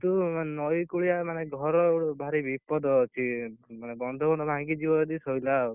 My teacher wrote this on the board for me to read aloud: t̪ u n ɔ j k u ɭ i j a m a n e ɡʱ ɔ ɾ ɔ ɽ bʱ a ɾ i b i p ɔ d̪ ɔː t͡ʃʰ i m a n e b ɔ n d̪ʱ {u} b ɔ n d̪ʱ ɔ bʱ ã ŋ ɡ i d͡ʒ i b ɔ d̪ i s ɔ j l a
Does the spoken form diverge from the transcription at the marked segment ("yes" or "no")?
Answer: yes